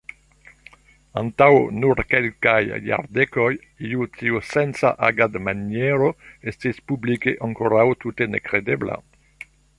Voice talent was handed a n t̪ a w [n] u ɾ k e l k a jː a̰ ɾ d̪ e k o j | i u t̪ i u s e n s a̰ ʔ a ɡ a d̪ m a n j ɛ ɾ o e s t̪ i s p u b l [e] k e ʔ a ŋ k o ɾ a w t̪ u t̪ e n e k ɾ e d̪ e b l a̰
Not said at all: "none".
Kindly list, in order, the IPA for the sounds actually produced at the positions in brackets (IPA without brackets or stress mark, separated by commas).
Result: n, i